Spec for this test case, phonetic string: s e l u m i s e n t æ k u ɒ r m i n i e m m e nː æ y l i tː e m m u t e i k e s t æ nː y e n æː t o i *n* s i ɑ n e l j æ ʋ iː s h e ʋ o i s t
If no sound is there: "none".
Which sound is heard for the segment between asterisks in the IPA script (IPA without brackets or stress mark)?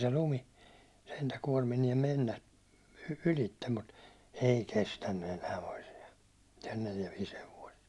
none